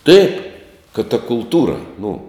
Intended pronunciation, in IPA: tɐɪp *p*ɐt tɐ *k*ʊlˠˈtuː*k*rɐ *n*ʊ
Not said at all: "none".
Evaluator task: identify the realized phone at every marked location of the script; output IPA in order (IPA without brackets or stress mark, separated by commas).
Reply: k, k, none, n